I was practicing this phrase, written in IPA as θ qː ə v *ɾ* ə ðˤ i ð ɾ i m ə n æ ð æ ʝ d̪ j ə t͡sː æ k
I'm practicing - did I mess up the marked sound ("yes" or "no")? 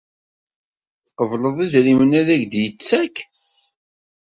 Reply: yes